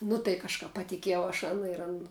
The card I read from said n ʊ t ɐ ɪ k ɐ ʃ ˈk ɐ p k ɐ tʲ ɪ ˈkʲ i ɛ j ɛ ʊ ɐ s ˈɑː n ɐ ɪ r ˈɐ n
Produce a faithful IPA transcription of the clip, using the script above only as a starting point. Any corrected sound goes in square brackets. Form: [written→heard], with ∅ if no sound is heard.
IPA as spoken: n ʊ t ɐ ɪ k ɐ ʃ ˈk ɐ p [k→p] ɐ tʲ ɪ ˈkʲ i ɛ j ɛ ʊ ɐ [s→ʃ] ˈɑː n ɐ ɪ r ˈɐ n